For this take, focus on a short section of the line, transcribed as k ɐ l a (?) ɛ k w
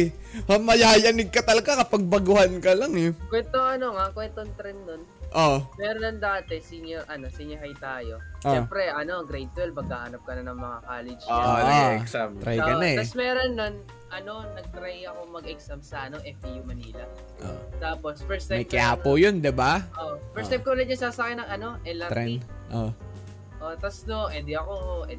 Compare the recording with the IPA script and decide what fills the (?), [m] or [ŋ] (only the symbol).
ŋ